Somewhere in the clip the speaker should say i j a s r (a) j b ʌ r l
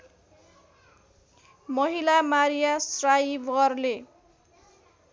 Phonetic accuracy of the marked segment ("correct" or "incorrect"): correct